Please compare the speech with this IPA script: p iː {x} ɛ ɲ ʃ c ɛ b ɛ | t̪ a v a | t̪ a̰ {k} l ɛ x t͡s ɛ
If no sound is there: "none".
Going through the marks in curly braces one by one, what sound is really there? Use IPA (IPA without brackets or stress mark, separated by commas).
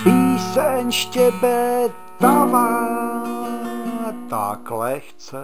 s, k